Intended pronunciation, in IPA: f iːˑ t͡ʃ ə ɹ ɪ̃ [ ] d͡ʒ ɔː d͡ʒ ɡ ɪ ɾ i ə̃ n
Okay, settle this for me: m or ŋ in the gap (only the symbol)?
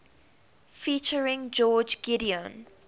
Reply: ŋ